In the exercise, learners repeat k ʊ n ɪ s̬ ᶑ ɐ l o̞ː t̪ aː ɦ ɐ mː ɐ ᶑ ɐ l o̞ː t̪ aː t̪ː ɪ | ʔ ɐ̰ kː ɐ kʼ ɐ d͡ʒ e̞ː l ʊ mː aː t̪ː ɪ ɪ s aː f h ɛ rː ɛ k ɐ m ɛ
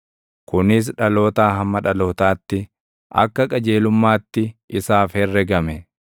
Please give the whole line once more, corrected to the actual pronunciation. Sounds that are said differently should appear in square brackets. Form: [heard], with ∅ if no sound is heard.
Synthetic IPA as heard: k ʊ n ɪ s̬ ᶑ ɐ l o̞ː t̪ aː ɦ ɐ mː ɐ ᶑ ɐ l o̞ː t̪ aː t̪ː ɪ | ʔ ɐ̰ kː ɐ kʼ ɐ d͡ʒ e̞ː l ʊ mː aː t̪ː ɪ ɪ s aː f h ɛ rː ɛ [ɡ] ɐ m ɛ